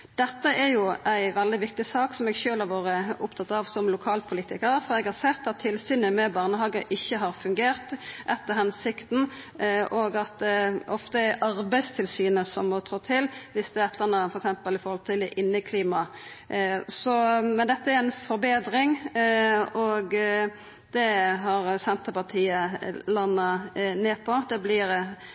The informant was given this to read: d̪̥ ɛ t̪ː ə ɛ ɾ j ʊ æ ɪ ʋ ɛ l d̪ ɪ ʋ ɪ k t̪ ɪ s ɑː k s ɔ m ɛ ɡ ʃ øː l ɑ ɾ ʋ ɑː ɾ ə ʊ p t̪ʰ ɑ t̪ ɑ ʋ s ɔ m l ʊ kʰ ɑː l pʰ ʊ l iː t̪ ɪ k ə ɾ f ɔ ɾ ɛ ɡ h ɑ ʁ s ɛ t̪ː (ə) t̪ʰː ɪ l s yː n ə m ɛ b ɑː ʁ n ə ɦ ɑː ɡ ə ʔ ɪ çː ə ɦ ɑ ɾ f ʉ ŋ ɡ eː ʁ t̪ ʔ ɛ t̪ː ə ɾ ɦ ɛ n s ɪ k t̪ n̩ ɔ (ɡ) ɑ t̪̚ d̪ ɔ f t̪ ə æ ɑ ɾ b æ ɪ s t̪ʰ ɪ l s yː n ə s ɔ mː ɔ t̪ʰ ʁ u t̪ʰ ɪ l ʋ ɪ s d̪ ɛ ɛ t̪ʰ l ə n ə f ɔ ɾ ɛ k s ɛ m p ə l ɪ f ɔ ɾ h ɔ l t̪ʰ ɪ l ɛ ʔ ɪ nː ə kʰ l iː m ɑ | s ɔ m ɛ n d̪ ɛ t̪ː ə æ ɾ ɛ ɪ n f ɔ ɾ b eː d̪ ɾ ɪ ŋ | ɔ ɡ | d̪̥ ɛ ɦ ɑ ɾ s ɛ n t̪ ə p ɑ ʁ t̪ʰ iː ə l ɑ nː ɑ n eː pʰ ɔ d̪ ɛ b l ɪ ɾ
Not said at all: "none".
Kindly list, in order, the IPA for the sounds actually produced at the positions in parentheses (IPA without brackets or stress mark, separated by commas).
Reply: ɑ, ɡ